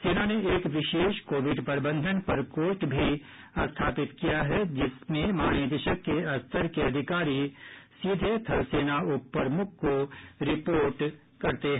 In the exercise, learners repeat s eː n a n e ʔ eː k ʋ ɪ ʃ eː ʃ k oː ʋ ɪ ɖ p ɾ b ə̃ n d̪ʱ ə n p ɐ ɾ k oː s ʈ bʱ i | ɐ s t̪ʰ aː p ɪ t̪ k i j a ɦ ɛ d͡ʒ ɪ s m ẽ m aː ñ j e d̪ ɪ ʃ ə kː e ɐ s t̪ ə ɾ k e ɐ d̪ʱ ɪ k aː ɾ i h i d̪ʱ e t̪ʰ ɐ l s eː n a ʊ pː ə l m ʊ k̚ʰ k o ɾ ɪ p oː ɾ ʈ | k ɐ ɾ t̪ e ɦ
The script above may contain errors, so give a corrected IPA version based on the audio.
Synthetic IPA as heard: s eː n a n e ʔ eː k ʋ ɪ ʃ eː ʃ k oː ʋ ɪ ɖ p ɾ b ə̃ n d̪ʱ ə n p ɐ ɾ k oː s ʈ bʱ i | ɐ s t̪ʰ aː p ɪ t̪ k i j a ɦ ɛ d͡ʒ ɪ s m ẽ m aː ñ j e d̪ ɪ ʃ ə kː e ɐ s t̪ ə ɾ k e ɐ d̪ʱ ɪ k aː ɾ i s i d̪ʱ e t̪ʰ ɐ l s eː n a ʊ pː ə ɾ m ʊ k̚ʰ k o ɾ ɪ p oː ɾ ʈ | k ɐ ɾ t̪ e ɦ